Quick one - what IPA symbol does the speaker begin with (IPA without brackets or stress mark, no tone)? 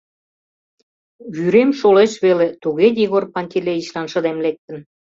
β